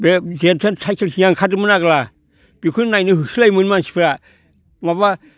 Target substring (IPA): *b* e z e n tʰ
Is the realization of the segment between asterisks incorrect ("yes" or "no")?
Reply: no